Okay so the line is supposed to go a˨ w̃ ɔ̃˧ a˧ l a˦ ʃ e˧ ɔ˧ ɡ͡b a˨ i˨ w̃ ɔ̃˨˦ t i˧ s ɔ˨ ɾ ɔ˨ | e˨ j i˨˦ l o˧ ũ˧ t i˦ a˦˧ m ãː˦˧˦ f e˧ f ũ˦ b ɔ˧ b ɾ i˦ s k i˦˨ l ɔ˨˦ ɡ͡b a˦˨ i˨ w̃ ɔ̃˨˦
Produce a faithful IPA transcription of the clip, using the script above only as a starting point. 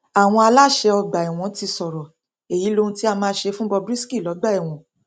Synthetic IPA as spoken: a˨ w̃ ɔ̃˧ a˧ l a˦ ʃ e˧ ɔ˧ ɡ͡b a˨ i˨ w̃ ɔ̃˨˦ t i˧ s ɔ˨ ɾ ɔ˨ | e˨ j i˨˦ l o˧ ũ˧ t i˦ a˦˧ m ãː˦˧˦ ʃ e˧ f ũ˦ b ɔ˧ b ɾ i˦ s k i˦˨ l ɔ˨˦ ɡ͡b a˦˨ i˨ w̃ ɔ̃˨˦